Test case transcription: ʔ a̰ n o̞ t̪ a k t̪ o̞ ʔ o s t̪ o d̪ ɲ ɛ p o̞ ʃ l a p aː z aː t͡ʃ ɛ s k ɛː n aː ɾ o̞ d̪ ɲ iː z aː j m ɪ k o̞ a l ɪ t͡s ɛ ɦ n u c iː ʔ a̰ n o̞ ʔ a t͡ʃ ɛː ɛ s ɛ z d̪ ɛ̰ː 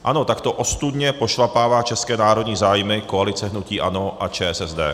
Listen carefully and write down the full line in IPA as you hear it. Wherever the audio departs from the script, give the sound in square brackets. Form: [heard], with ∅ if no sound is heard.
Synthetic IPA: ʔ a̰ n o̞ t̪ a k t̪ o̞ ʔ o s t̪ [u] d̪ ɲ ɛ p o̞ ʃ l a p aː [v] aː t͡ʃ ɛ s k ɛː n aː ɾ o̞ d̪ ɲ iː z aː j m ɪ k o̞ a l ɪ t͡s ɛ ɦ n u c iː ʔ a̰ n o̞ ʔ a t͡ʃ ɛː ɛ s ɛ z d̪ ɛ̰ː